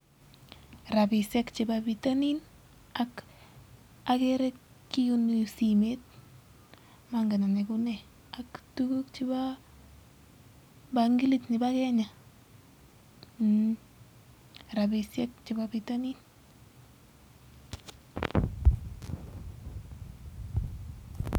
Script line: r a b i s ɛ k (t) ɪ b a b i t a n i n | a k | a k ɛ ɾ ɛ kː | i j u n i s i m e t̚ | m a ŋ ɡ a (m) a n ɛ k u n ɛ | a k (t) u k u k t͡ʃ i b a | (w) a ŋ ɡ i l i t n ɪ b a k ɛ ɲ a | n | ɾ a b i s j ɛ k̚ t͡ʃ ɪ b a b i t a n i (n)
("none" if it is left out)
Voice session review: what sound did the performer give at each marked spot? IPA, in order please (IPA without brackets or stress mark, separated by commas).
t͡ʃ, n, t, b, n